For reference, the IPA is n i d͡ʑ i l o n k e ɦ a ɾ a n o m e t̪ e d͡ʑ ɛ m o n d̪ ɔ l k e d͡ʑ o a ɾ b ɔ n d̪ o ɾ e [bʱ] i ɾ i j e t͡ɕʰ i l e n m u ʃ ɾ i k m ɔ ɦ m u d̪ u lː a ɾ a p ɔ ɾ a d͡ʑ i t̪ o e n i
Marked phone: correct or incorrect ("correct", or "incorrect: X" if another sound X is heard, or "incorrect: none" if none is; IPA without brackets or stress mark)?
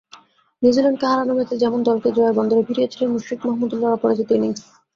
correct